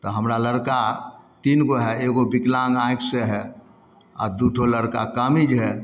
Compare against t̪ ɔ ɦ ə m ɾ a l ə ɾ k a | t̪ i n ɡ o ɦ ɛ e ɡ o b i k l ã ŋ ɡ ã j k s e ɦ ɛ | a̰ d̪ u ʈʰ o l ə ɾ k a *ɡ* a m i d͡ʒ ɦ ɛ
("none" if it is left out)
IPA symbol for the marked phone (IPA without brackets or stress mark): k